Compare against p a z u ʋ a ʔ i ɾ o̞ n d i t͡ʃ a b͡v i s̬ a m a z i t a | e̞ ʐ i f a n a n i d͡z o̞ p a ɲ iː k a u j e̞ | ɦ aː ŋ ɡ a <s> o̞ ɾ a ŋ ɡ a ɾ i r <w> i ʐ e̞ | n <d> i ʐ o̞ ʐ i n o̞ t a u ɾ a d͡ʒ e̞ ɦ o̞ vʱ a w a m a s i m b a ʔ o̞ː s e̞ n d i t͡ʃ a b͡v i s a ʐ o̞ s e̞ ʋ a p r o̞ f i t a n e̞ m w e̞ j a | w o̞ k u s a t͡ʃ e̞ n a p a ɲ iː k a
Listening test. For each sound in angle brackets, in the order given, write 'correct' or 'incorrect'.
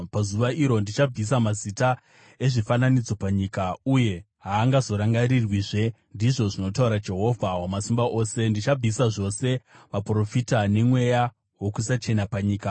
incorrect, correct, correct

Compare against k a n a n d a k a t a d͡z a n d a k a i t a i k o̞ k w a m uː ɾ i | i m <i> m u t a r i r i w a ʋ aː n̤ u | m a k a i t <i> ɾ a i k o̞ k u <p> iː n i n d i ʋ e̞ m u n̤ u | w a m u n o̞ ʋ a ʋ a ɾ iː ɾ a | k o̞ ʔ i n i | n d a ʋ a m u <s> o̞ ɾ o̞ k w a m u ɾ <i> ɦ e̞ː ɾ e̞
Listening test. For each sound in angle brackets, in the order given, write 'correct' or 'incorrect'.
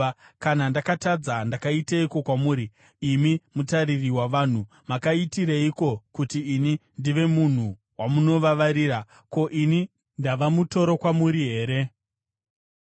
correct, correct, incorrect, incorrect, correct

